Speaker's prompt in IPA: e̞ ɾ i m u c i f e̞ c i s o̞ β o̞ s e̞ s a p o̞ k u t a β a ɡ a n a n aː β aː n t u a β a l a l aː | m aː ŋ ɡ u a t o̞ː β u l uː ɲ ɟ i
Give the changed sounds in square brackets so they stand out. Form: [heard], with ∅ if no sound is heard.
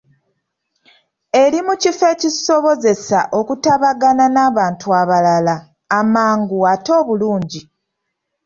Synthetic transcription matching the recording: e̞ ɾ i m u c i f e̞ c i s o̞ β o̞ [z] e̞ s a [ʔ] o̞ k u t a β a ɡ a n a n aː β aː n t u a β a l a l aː | m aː ŋ ɡ u a t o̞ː β u l uː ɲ ɟ i